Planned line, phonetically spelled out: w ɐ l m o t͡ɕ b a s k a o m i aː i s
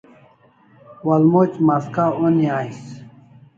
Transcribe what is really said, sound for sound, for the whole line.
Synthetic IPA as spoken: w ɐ l m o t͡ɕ m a s k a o n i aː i s